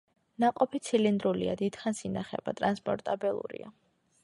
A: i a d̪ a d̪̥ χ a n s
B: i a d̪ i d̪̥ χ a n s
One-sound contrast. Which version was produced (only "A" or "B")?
B